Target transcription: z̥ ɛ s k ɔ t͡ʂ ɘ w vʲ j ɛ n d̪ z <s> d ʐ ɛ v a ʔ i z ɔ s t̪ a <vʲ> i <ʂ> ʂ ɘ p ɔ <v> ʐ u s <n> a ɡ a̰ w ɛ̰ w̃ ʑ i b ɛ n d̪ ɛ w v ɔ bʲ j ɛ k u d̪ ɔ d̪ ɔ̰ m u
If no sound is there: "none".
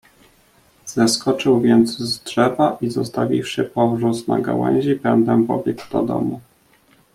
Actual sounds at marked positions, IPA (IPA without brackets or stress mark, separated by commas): z, vʲ, f, v, n